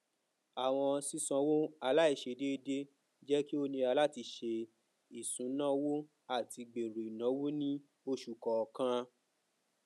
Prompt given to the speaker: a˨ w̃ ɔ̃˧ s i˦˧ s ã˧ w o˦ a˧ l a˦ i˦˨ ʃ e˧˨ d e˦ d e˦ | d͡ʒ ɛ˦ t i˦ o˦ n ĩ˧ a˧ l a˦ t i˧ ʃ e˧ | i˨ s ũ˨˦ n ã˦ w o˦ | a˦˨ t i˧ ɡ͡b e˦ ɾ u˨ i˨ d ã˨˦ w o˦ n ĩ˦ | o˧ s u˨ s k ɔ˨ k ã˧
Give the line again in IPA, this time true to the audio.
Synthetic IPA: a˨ w̃ ɔ̃˧ s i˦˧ s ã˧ w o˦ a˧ l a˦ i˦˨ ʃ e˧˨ d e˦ d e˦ | d͡ʒ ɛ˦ k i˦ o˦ n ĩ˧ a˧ l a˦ t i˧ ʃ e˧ | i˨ s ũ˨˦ n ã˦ w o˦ | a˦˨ t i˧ ɡ͡b e˨ ɾ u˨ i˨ n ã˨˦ w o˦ n ĩ˦ | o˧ ʃ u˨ k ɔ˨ k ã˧